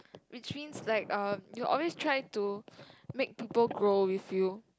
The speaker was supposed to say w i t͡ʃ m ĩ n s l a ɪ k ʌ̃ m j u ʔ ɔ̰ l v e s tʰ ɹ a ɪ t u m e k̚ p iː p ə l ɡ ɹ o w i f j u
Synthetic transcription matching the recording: w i t͡ʃ m ĩ n s l a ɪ k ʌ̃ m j u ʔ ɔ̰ l w e s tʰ ɹ a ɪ t u m e k̚ p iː p ə l ɡ ɹ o w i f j u